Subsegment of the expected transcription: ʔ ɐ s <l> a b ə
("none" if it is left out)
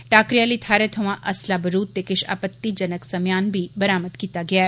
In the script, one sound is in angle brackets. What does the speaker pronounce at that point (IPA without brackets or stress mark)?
l